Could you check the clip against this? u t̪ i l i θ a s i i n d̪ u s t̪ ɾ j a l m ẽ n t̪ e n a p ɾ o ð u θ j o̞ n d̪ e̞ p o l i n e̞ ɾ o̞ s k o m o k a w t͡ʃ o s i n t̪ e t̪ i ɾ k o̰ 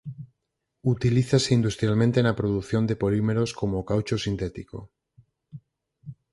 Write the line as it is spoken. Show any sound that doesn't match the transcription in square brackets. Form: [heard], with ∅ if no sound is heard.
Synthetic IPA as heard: u t̪ i l i θ a s [e] i n d̪ u s t̪ ɾ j a l m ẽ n t̪ e n a p ɾ o ð u θ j o̞ n d̪ e̞ p o l i [m] e̞ ɾ o̞ s k o m o k a w t͡ʃ o s i n t̪ e t̪ i [∅] k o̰